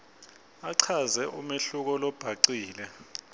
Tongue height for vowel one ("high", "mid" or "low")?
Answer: low